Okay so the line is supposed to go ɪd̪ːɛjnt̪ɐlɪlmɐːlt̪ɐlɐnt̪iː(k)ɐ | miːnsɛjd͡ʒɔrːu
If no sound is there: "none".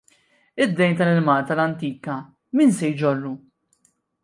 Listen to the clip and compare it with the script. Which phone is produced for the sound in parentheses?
k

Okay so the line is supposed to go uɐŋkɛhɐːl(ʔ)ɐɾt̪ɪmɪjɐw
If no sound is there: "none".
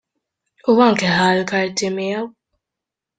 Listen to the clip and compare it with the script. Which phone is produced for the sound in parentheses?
k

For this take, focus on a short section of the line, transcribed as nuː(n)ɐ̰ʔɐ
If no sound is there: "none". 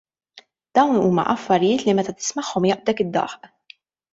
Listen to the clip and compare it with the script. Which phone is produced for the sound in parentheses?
m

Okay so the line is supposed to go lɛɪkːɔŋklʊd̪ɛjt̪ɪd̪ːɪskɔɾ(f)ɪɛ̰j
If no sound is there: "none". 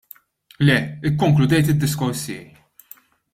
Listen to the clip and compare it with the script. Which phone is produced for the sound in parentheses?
s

